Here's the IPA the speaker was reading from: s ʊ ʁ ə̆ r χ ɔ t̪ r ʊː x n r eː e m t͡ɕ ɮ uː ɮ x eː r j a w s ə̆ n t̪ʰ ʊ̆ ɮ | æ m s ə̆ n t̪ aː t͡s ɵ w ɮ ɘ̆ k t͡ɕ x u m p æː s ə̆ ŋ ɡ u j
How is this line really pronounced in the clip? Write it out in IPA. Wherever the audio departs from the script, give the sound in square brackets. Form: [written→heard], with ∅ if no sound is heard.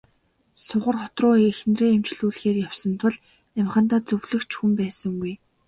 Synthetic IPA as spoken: s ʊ ʁ ə̆ r χ ɔ t̪ r ʊː x n r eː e m t͡ɕ ɮ uː ɮ x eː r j a w s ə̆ n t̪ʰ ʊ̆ ɮ | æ m [s→χ] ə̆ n t̪ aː t͡s ɵ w ɮ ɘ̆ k t͡ɕ x u m p æː s ə̆ ŋ ɡ u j